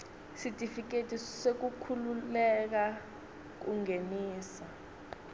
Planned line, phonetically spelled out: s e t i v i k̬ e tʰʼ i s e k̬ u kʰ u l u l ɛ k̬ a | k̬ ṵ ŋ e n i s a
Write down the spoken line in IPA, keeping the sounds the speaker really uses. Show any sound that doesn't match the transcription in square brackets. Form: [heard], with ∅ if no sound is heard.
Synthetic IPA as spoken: s [i] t i [f] i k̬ e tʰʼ i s e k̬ u kʰ u l u l ɛ k̬ a | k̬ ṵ ŋ e n [iː] s a